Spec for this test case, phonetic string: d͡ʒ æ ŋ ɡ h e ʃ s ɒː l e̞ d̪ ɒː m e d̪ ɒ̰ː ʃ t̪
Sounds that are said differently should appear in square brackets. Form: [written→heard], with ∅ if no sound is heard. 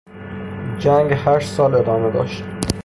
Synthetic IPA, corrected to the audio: d͡ʒ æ ŋ ɡ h [e→æ] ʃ s ɒː l e̞ d̪ ɒː m e d̪ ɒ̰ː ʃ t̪